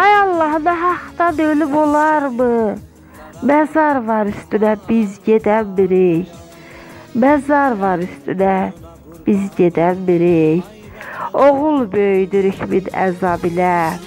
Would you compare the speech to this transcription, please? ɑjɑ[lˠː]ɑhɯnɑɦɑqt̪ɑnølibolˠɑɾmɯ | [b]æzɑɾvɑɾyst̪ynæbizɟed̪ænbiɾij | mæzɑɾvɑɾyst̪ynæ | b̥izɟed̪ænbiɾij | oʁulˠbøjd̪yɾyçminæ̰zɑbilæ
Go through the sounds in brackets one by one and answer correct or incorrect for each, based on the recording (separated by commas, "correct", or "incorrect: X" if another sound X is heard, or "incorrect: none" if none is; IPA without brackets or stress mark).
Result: correct, incorrect: m